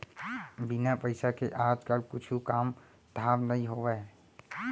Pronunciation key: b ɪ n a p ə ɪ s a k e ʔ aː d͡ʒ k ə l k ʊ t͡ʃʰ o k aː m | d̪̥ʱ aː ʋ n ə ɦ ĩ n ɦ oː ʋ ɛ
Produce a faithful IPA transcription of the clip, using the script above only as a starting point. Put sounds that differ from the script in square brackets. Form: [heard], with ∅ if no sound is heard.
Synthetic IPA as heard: b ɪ n a p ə ɪ s a k e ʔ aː d͡ʒ k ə l k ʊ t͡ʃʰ [u] k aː m | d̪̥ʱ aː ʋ n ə ɦ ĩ [∅] ɦ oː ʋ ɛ